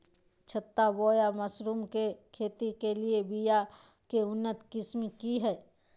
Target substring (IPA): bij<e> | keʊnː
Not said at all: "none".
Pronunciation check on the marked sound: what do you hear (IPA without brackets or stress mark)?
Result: a